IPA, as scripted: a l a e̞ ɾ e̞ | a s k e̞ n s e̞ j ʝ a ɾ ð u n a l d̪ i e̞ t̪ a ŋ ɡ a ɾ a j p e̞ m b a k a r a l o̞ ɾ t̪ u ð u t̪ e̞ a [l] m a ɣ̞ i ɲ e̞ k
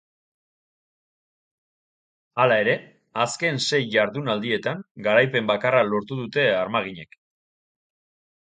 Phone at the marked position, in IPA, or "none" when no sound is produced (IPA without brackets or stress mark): ɾ